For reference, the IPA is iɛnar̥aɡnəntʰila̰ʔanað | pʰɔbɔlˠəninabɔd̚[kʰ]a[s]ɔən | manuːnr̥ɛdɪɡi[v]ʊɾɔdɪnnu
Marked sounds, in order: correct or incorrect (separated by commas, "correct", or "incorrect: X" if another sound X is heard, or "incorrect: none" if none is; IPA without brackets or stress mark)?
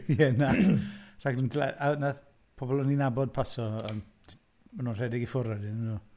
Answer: incorrect: pʰ, correct, incorrect: f